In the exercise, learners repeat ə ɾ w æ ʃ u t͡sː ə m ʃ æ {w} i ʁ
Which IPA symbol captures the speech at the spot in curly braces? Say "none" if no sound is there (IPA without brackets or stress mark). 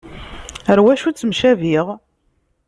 v